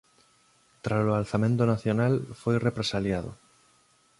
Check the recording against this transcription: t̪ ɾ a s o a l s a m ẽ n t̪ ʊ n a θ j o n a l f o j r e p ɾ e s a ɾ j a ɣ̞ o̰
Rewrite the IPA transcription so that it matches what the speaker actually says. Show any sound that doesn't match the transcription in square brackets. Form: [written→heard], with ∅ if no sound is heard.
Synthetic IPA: t̪ ɾ a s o a l [s→θ] a m ẽ n t̪ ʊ n a θ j o n a l f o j r e p ɾ e s a [ɾ→l] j a [ɣ̞→ð̞] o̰

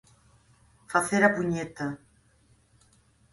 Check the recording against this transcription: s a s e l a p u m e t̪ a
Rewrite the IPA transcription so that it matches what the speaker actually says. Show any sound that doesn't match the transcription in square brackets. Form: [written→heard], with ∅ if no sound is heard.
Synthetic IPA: [s→f] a [s→θ] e [l→ɾ] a p u [m→ɲ] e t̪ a

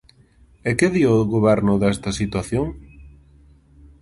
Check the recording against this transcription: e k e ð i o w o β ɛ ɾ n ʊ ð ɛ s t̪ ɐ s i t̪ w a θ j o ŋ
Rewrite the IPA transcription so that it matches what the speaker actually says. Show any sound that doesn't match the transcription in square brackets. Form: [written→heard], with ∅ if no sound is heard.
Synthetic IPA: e k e ð i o [w→ɣ] o β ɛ ɾ n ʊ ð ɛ s t̪ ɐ s i t̪ w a θ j o ŋ

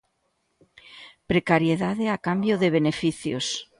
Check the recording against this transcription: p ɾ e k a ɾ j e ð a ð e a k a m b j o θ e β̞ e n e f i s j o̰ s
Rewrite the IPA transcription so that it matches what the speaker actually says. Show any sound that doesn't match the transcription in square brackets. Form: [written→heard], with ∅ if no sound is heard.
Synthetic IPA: p ɾ e k a ɾ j e ð a ð e a k a m b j o [θ→ð] e β̞ e n e f i [s→θ] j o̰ s

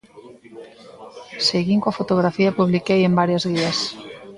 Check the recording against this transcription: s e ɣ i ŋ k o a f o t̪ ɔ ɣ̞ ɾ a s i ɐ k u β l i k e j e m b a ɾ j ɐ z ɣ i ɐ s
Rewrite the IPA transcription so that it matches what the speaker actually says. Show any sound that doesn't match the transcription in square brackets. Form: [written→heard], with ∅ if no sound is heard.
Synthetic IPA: s e ɣ i ŋ k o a f o t̪ [ɔ→o] ɣ̞ ɾ a [s→f] i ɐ [k→p] u β l i k e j e m b a ɾ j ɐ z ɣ i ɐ s

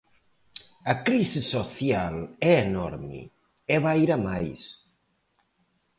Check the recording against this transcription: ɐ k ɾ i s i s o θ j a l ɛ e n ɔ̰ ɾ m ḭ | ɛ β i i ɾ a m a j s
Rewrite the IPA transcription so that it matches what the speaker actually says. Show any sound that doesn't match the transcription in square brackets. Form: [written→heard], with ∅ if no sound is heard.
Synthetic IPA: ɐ k ɾ i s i s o θ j a l ɛ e n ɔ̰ ɾ m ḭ | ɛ β [i→a] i ɾ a m a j s

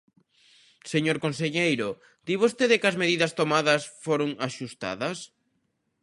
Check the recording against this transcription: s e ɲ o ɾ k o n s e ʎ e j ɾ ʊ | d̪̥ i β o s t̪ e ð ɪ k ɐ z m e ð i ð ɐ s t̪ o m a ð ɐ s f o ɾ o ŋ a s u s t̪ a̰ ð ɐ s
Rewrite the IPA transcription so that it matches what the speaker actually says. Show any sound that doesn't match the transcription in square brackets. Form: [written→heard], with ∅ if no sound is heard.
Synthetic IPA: s e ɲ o ɾ k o n s e ʎ e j ɾ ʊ | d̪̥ i β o s t̪ e ð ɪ k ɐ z m e ð i ð ɐ s t̪ o m a ð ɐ s f o ɾ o ŋ a [s→ʃ] u s t̪ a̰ ð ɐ s

